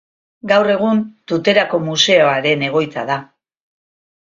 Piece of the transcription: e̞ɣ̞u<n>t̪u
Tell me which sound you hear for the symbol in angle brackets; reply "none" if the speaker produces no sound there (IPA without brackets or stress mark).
n